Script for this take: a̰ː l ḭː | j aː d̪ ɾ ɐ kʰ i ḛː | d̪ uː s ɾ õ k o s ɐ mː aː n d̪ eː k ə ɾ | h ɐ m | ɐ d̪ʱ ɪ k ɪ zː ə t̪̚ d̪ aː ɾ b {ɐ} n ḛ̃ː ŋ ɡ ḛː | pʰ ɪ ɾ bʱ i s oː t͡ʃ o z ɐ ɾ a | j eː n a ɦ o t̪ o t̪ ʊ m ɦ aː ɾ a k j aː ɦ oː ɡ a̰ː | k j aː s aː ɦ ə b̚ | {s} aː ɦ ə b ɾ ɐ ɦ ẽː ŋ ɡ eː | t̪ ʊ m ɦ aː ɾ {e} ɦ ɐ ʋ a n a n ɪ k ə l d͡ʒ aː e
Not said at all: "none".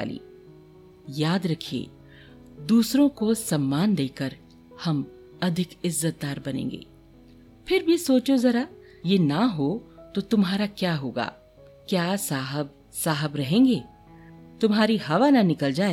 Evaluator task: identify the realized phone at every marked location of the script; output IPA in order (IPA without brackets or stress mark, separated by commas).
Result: ɐ, s, i